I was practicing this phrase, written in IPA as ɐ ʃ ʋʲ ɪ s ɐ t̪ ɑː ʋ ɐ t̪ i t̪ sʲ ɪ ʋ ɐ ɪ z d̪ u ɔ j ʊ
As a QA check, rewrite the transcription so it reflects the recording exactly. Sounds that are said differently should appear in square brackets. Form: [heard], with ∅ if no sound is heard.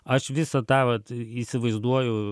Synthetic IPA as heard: ɐ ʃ ʋʲ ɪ s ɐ t̪ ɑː ʋ ɐ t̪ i [∅] sʲ ɪ ʋ ɐ ɪ z d̪ u ɔ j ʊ